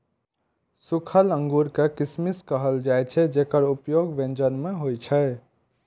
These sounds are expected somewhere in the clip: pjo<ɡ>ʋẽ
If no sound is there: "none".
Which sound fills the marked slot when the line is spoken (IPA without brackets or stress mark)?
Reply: ɡ